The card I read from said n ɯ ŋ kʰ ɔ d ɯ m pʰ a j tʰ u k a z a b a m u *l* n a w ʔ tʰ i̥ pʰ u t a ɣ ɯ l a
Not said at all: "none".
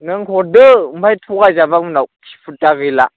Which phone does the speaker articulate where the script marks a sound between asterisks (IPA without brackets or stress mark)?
none